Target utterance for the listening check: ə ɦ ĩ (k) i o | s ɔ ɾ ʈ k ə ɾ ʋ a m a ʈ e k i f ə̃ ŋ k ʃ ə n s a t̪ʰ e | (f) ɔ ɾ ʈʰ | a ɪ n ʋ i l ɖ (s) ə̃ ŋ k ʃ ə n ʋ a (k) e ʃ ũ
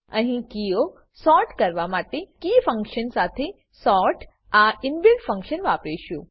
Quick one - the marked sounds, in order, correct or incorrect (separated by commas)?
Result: correct, incorrect, incorrect, incorrect